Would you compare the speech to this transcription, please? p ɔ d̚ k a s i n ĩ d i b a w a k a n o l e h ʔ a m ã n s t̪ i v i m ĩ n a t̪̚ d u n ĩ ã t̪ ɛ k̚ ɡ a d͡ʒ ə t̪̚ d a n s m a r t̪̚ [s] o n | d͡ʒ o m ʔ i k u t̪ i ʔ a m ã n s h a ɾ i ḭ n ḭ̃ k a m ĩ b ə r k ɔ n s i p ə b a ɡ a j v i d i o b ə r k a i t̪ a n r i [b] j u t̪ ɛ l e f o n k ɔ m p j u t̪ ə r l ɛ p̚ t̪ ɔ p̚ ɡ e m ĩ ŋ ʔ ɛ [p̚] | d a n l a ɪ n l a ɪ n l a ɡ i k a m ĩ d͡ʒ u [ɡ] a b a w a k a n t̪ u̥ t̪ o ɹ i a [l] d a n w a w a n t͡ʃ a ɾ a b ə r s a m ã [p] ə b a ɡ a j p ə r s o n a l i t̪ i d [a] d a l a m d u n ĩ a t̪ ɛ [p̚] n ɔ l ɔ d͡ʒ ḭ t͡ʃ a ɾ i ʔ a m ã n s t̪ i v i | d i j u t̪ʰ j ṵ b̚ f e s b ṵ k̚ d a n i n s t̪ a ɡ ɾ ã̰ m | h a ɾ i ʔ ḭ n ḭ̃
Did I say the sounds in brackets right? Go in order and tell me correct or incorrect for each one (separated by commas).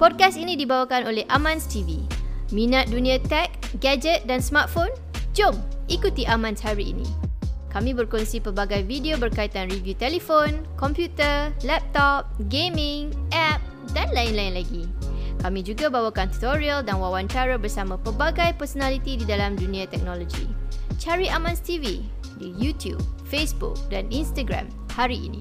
incorrect, incorrect, correct, correct, correct, correct, incorrect, incorrect